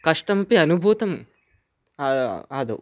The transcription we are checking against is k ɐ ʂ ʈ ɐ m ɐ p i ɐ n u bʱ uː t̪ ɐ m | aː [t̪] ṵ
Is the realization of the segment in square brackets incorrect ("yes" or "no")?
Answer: yes